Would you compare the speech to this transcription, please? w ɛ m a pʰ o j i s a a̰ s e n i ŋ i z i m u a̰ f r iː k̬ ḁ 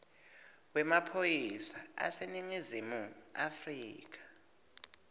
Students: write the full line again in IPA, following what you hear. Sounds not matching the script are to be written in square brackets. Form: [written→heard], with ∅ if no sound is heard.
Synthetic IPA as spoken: w ɛ m a pʰ o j i s a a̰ s e n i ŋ i z i m u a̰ f r iː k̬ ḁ